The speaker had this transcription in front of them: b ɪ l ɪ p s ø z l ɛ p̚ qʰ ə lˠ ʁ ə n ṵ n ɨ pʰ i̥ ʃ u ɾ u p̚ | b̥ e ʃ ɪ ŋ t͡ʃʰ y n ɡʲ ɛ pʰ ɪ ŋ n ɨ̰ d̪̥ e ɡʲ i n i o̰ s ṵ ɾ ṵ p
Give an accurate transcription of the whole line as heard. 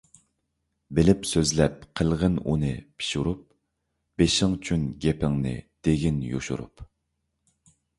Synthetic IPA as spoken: b ɪ l ɪ p s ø z l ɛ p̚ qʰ ə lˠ ʁ ə n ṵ n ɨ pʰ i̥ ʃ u ɾ u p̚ | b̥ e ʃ ɪ ŋ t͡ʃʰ y n ɡʲ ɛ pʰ ɪ ŋ n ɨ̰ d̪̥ e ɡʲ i n j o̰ ʃ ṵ ɾ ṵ p